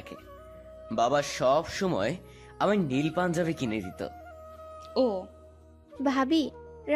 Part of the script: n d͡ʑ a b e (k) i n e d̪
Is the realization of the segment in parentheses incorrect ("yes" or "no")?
no